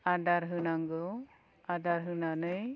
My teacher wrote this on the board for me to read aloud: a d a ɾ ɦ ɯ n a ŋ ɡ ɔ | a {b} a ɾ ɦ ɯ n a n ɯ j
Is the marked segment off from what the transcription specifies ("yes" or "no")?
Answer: yes